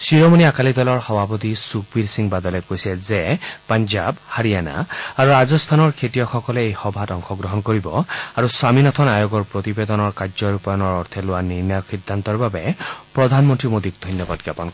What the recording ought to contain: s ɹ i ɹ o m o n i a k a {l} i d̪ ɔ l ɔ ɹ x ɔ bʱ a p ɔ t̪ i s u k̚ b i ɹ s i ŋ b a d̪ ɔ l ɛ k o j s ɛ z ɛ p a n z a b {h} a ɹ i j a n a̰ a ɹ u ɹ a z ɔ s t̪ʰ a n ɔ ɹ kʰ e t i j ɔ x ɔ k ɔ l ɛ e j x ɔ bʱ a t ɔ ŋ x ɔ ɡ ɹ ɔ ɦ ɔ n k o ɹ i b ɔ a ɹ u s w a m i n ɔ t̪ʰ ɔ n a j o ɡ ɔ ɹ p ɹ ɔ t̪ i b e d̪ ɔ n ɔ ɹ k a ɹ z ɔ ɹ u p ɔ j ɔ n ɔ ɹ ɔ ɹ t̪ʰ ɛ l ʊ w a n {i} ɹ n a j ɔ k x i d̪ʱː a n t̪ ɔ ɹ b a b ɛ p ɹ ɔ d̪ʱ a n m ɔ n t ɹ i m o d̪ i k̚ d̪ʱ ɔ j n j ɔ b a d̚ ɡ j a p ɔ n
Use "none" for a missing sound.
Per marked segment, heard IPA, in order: l, h, i

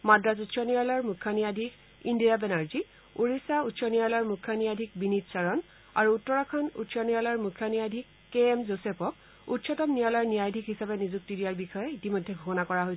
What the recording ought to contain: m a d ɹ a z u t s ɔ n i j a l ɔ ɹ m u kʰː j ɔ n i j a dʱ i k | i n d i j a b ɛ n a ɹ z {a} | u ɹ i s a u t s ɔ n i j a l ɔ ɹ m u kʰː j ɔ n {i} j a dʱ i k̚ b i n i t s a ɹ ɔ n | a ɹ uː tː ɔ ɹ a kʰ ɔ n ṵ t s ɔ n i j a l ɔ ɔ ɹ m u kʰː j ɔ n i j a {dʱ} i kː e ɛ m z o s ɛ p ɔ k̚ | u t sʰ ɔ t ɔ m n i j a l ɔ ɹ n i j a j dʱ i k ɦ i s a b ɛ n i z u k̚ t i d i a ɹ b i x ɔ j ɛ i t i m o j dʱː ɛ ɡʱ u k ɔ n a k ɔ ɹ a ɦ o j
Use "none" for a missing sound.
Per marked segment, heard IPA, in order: i, i, dʱ

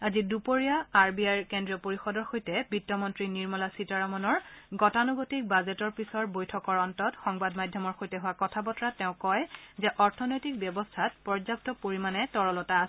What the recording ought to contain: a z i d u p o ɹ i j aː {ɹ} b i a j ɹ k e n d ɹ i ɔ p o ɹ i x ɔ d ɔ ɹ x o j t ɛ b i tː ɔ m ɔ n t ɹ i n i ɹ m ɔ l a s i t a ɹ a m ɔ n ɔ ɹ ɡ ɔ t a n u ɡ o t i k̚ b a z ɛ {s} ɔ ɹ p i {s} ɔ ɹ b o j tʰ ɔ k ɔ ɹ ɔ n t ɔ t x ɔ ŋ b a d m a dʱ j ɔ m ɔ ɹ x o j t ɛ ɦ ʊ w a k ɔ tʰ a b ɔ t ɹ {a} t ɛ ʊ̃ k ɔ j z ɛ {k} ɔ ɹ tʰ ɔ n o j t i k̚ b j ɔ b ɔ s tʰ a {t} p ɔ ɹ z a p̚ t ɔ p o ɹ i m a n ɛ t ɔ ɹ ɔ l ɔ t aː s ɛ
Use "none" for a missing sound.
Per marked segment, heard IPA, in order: ɹ, t, s, a, ʔ, t

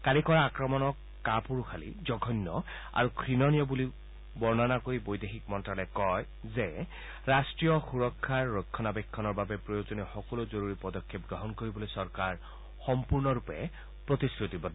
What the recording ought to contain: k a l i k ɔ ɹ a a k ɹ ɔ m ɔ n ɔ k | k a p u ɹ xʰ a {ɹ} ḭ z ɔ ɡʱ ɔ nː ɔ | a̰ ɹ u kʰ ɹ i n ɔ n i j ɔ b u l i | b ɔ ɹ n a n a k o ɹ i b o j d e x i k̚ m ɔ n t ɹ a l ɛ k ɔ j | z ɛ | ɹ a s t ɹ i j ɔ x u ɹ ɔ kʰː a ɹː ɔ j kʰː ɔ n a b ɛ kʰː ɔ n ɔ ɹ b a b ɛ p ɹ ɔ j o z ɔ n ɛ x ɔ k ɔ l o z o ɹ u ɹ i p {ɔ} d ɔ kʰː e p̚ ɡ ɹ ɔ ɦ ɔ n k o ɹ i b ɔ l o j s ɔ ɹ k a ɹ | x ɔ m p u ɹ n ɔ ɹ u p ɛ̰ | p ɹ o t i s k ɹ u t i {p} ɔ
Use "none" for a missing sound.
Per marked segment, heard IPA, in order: l, ɔ, b

